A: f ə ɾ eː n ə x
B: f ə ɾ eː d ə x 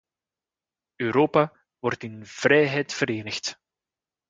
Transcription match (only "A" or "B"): A